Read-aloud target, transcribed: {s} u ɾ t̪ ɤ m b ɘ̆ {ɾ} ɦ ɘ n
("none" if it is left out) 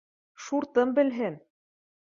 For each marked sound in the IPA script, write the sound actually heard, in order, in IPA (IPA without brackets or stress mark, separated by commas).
ʃ, l